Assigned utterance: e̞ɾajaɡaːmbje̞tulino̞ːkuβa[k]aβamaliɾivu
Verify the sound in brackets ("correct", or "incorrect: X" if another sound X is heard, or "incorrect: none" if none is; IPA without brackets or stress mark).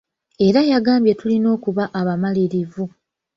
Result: incorrect: ʔ